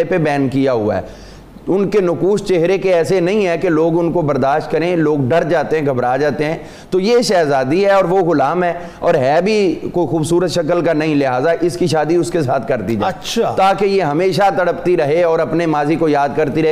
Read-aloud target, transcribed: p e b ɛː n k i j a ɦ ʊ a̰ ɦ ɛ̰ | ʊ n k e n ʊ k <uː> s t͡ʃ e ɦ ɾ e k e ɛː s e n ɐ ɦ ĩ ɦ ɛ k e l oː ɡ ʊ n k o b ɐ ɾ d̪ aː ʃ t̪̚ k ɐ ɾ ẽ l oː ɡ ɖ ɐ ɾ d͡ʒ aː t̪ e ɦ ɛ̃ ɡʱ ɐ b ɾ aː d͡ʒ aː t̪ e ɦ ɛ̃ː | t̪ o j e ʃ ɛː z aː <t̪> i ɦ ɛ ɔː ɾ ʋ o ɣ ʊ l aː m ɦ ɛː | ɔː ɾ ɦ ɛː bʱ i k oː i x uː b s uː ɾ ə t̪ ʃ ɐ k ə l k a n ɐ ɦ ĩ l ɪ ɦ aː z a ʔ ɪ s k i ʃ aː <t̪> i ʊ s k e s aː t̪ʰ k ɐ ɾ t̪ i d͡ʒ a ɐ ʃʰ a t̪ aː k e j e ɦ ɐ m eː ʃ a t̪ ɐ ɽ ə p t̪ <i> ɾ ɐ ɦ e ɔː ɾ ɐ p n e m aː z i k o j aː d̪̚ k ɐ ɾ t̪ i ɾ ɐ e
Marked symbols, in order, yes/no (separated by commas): yes, no, no, yes